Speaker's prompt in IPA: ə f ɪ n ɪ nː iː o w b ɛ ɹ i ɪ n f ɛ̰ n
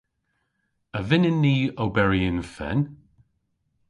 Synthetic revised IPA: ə v ɪ n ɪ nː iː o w b ɛ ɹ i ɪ n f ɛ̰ n

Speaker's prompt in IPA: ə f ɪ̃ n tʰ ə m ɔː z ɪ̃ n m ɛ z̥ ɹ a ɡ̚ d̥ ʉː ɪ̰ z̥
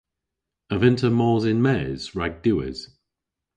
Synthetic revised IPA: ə v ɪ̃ n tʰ ə m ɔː z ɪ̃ n m ɛ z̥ ɹ a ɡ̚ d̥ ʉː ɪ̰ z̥

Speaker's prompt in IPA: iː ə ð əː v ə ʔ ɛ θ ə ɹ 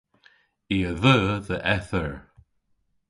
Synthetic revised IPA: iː ə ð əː ð ə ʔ ɛ θ ə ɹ

